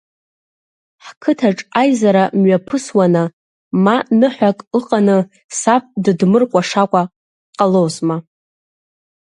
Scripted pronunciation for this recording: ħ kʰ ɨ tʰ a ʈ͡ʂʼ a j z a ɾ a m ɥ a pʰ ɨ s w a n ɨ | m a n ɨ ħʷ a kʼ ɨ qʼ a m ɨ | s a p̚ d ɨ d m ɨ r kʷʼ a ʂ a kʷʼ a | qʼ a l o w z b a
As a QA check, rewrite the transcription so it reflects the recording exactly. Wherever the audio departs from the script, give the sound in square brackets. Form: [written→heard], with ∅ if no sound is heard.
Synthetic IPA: ħ kʰ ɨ tʰ a ʈ͡ʂʼ a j z a ɾ a m ɥ a pʰ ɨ s w a n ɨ | m a n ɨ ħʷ a kʼ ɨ qʼ a [m→n] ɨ | s a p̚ d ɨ d m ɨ r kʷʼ a ʂ a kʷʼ a | qʼ a l o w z [b→m] a